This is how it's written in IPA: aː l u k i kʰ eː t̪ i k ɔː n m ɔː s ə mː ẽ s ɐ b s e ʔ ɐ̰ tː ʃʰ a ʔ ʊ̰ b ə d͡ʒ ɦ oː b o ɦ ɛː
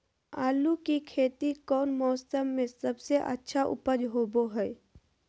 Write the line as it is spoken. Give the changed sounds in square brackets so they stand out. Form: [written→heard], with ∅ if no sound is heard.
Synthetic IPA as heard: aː l u k i kʰ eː t̪ i k ɔː n m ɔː s ə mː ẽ s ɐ b s e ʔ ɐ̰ tː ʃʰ a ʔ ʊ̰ [b→p] ə d͡ʒ ɦ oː b o ɦ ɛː